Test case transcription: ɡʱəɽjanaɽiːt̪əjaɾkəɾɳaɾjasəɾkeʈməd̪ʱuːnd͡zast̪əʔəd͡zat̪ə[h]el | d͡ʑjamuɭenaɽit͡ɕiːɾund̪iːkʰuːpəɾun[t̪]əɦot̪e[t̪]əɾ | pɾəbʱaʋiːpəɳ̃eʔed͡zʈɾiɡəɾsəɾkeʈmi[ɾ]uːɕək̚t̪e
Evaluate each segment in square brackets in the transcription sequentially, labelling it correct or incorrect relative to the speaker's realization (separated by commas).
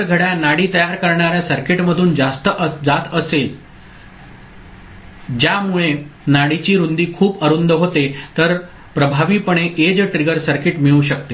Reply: incorrect, incorrect, correct, incorrect